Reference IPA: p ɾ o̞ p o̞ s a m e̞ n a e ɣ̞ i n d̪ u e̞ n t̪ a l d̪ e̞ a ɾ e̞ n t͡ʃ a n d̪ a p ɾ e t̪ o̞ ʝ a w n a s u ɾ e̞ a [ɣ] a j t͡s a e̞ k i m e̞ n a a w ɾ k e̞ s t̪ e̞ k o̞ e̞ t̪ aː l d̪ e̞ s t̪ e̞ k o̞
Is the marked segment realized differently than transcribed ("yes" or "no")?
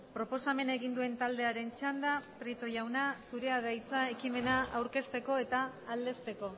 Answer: yes